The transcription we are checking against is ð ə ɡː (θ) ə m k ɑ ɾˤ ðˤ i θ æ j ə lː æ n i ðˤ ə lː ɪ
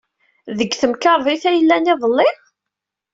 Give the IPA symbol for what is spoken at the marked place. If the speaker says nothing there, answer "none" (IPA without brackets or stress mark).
θ